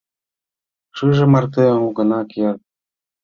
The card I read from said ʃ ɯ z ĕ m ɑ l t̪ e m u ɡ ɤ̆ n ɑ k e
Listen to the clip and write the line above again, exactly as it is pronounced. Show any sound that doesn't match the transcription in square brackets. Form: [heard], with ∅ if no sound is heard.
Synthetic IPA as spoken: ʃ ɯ [ʒ] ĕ m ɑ [r] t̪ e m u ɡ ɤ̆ n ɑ k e